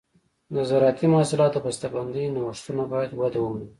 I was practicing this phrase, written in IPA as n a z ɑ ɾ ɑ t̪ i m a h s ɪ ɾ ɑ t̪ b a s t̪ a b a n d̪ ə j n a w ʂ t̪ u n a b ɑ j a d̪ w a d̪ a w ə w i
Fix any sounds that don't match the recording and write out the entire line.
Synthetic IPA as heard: n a z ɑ ɾ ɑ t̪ i m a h s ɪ l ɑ t̪ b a s t̪ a b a n d̪ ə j n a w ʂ t̪ u n a b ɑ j a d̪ w a d̪ a w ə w i